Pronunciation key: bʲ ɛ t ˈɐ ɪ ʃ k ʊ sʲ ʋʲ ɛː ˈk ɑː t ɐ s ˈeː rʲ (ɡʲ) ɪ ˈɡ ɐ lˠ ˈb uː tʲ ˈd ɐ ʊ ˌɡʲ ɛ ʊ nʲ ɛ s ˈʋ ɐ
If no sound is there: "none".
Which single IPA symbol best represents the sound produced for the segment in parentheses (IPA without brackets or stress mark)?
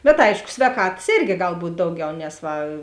ɡʲ